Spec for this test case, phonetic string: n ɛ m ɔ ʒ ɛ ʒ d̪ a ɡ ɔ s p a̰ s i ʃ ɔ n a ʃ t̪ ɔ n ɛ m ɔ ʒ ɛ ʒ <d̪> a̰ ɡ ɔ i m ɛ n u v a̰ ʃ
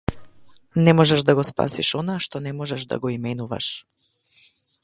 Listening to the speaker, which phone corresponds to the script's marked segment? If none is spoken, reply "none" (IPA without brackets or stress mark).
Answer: d̪